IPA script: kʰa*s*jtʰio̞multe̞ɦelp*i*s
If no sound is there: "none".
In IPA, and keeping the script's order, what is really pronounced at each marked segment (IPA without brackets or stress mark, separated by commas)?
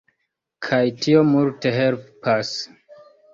none, a